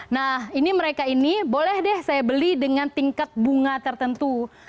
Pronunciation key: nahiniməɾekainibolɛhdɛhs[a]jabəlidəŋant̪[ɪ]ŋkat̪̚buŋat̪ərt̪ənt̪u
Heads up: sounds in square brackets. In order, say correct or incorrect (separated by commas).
correct, incorrect